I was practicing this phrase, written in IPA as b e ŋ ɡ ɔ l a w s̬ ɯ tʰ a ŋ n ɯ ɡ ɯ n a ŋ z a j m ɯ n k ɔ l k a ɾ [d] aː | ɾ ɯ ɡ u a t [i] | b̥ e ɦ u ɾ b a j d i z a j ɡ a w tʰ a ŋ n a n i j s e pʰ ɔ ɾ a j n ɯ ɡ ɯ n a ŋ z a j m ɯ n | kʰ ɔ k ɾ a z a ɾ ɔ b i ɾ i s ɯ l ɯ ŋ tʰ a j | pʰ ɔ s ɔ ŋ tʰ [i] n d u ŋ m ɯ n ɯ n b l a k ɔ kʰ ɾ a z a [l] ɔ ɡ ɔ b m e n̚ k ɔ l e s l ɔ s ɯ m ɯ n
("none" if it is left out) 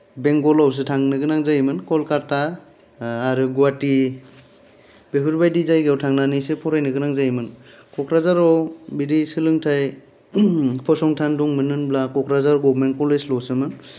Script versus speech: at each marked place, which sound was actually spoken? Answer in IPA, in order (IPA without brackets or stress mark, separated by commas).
t, i, a, ɾ